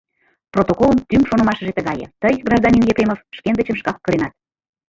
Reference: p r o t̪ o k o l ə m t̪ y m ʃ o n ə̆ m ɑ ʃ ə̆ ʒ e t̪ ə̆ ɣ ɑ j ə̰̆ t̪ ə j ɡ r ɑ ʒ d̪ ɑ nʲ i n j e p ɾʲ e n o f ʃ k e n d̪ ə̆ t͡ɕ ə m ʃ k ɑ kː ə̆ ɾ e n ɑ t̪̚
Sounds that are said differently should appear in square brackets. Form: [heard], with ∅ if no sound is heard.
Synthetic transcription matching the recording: p r o t̪ o k o l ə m t̪ y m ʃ o n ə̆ m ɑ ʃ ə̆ ʒ e t̪ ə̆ ɣ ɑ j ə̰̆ t̪ ə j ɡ r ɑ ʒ d̪ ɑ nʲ i n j e p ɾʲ e [m] o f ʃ k e n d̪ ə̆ t͡ɕ ə m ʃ k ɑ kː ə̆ ɾ e n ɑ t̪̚